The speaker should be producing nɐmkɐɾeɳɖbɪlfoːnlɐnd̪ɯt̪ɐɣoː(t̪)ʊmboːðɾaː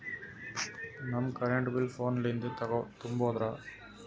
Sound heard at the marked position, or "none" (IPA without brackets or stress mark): t̪